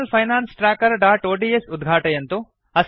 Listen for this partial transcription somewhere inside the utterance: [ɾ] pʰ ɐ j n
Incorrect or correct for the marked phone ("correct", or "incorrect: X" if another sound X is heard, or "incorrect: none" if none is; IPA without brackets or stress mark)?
incorrect: l